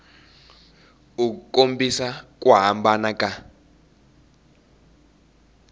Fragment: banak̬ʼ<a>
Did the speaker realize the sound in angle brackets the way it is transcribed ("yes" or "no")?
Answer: yes